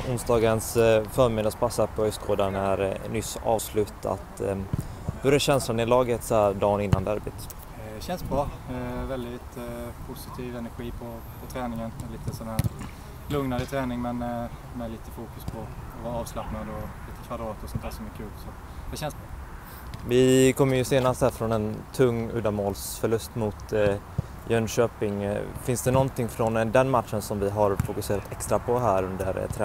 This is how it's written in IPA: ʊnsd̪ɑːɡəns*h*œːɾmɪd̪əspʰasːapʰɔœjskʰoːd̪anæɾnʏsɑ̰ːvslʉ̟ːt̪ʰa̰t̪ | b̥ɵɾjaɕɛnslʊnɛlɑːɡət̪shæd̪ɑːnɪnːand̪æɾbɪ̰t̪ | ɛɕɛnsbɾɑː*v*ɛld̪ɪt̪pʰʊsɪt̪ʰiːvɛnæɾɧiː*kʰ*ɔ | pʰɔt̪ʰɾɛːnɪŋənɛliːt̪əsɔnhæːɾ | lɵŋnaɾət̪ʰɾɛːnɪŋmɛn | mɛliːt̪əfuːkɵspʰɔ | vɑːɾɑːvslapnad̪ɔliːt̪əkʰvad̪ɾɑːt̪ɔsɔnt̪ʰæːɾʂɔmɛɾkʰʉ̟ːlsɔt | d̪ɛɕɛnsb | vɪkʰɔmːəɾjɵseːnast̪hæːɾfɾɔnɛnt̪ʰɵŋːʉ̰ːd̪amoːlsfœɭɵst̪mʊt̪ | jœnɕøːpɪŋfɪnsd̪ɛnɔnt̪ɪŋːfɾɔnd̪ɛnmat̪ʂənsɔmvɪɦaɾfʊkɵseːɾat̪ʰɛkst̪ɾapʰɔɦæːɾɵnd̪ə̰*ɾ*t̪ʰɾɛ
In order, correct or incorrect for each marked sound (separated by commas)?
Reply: incorrect, correct, incorrect, correct